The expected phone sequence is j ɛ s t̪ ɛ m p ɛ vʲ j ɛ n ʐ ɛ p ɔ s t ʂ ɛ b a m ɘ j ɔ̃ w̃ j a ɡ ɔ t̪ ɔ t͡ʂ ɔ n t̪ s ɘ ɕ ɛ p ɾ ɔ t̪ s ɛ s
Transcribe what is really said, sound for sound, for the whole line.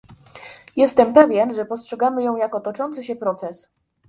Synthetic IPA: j ɛ s t̪ ɛ m p ɛ vʲ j ɛ n ʐ ɛ p ɔ s t ʂ ɛ ɡ a m ɘ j ɔ̃ w̃ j a k ɔ t̪ ɔ t͡ʂ ɔ n t̪ s ɘ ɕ ɛ p ɾ ɔ t̪ s ɛ s